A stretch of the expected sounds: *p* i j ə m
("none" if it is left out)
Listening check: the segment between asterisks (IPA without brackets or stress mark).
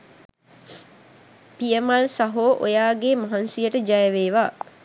p